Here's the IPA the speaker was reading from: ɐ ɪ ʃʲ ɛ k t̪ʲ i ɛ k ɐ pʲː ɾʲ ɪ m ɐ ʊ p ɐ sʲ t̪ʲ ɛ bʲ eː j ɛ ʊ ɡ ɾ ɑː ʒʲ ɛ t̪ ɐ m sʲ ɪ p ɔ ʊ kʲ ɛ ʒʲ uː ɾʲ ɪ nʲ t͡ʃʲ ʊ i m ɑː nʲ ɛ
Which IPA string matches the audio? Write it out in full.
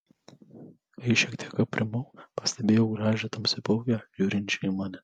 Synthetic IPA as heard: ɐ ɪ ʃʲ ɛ k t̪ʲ i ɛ k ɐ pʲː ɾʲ ɪ m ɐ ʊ p ɐ sʲ t̪ʲ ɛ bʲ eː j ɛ ʊ ɡ ɾ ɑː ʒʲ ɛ t̪ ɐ m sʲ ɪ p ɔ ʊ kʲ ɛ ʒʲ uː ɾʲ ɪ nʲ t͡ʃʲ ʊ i m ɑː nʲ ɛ